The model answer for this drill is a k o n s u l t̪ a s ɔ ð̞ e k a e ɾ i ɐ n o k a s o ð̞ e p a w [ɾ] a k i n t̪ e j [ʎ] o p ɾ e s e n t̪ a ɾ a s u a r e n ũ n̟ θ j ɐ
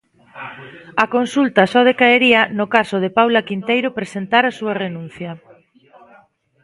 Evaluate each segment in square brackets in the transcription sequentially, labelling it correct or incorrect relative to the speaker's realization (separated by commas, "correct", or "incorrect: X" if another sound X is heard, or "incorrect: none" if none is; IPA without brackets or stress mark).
incorrect: l, incorrect: ɾ